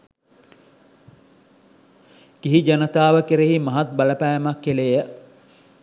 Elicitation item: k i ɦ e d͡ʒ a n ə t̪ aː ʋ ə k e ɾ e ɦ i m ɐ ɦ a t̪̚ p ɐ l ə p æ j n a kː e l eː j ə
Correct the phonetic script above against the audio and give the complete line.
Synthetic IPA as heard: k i ɦ i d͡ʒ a n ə t̪ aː ʋ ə k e ɾ e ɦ i m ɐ ɦ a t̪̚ b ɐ l ə p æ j m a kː e l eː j ə

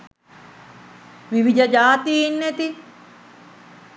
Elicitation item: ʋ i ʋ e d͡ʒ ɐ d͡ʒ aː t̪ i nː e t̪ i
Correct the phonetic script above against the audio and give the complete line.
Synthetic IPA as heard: ʋ i ʋ i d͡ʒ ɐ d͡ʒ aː t̪ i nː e t̪ i

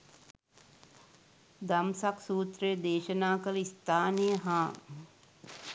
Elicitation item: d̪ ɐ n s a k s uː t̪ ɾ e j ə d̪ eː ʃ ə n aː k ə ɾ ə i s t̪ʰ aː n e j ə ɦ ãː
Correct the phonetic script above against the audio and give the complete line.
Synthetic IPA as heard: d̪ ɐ m s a k s uː t̪ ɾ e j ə d̪ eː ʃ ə n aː k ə l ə i s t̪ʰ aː n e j ə ɦ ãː

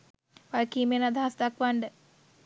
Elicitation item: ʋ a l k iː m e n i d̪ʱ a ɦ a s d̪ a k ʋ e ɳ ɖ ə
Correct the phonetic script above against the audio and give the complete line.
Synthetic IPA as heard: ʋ a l k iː m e n a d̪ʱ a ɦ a s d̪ a k ʋ a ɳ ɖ ə

